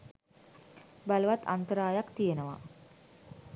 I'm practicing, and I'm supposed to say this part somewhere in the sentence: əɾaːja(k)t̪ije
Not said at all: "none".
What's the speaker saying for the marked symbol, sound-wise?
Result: k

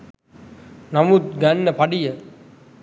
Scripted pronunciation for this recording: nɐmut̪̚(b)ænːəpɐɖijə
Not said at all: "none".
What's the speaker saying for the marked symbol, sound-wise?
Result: ɡ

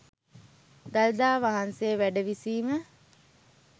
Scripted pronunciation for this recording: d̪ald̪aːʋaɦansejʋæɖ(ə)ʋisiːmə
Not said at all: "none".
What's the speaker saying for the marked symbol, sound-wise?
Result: ə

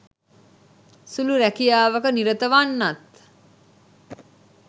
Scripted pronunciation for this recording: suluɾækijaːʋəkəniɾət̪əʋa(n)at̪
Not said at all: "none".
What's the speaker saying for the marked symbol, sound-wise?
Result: nː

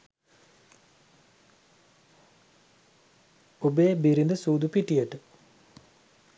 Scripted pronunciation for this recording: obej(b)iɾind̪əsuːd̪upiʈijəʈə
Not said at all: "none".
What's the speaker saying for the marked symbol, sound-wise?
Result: b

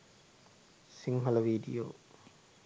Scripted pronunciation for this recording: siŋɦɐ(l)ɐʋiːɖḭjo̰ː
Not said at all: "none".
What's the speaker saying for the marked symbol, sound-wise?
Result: l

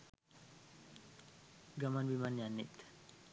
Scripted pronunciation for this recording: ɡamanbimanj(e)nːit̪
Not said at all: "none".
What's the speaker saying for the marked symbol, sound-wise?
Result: a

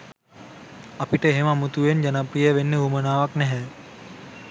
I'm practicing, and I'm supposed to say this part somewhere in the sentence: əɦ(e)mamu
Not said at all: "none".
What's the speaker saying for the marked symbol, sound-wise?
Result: e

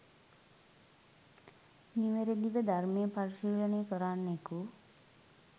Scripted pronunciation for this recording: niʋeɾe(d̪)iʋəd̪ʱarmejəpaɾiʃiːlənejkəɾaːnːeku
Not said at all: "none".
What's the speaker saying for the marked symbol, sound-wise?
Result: d̪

